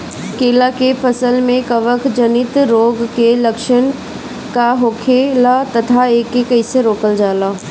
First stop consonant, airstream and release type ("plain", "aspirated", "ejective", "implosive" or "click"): plain